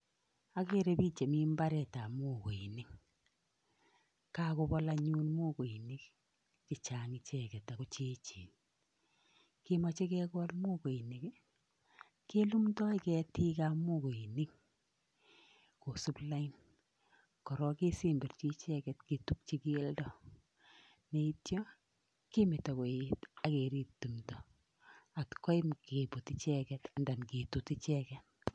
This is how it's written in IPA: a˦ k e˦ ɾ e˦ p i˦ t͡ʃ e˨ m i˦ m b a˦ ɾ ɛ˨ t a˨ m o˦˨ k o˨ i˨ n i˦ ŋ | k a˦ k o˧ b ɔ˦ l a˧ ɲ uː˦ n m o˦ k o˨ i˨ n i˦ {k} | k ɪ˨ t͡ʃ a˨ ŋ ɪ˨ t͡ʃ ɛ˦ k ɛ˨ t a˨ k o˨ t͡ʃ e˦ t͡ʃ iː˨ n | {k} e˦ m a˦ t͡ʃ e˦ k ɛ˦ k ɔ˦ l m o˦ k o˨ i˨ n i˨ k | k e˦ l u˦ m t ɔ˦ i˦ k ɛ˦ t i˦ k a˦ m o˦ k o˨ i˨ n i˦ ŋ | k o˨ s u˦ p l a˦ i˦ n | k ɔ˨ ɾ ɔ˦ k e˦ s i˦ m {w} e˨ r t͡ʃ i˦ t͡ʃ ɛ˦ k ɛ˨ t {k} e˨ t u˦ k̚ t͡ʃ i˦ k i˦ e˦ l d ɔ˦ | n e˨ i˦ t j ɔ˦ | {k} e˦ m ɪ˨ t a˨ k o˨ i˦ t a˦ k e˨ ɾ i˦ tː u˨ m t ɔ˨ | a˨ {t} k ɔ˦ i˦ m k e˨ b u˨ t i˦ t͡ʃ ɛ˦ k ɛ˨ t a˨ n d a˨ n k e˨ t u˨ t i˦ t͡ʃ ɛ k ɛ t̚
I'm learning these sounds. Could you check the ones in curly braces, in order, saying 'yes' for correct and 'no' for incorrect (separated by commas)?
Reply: yes, yes, no, yes, yes, yes